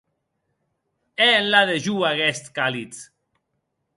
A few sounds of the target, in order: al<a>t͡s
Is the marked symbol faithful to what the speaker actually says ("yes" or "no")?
no